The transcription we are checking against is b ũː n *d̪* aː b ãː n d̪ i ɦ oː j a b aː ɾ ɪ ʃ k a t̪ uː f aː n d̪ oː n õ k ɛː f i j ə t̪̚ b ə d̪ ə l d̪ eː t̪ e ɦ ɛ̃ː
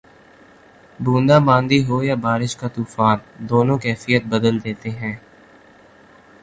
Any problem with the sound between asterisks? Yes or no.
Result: no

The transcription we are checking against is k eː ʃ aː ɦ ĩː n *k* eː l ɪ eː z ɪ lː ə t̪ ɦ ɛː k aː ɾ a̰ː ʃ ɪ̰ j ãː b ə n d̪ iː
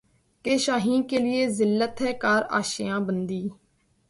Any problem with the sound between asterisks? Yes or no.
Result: no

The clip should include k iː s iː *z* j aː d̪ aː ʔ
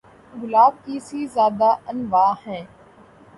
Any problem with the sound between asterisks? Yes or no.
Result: no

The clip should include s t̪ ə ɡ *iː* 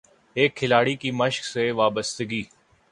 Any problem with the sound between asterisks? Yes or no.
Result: no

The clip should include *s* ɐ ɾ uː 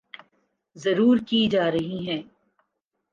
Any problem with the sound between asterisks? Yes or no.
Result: yes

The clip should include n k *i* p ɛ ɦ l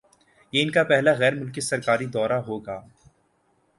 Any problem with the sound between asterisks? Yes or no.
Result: yes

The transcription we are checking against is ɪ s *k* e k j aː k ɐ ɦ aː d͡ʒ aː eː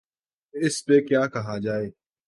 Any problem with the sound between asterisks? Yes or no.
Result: yes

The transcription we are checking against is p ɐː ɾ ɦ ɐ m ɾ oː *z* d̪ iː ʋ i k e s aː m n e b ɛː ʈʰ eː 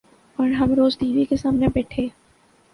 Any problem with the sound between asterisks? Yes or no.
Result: no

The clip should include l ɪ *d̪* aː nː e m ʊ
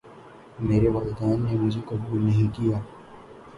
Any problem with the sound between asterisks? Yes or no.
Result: no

